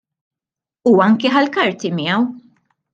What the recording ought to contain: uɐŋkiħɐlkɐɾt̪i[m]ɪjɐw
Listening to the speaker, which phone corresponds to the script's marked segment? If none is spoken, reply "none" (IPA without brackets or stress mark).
m